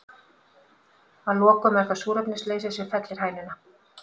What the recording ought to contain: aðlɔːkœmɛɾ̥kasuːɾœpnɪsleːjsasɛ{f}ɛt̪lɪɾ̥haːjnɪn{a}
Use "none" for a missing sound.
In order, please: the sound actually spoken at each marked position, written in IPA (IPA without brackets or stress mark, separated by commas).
f, a